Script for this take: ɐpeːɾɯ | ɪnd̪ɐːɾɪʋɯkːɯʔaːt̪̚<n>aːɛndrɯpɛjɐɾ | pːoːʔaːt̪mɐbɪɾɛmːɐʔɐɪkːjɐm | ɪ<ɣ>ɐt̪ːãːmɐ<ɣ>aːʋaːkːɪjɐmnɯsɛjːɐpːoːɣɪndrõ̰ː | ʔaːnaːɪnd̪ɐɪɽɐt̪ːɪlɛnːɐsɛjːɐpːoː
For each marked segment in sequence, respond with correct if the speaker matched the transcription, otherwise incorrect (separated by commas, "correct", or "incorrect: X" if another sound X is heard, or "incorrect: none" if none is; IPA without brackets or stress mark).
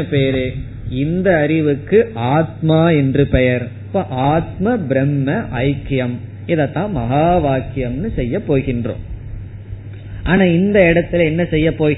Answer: incorrect: m, incorrect: ð, correct